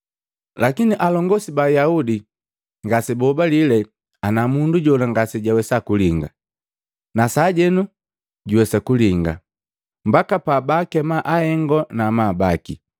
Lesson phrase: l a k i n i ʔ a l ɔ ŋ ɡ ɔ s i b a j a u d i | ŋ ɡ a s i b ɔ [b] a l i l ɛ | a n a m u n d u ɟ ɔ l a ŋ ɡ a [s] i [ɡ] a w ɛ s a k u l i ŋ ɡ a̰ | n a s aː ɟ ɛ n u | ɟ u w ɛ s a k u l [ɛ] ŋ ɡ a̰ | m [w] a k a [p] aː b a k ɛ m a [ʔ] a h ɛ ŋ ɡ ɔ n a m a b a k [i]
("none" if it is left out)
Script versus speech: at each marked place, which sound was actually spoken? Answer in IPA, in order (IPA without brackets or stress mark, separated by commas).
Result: b, s, ɟ, i, b, p, ʔ, i